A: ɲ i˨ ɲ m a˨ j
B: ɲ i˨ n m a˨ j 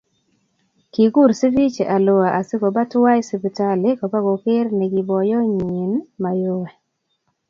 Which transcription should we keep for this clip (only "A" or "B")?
B